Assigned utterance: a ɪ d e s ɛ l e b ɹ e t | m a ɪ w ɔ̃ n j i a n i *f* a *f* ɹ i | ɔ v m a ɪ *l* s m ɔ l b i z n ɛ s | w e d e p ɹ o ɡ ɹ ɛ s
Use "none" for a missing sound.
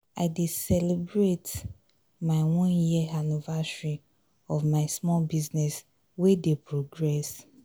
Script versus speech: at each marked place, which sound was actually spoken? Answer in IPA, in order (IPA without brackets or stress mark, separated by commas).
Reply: v, s, none